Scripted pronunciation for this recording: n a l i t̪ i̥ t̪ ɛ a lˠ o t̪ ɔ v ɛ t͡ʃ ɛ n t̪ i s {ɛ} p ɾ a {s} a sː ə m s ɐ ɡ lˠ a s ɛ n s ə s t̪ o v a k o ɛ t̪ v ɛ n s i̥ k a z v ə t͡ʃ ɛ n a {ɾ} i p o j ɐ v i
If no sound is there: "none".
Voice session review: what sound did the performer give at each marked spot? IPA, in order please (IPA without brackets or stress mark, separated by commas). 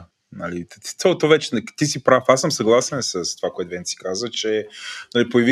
i, f, l